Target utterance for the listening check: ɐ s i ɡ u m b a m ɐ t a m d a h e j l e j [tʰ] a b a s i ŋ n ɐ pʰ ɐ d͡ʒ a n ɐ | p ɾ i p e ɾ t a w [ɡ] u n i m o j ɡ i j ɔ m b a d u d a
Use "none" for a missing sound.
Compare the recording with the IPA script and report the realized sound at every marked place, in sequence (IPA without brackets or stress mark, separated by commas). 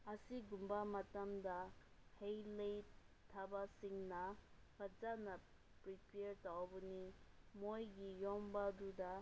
tʰ, b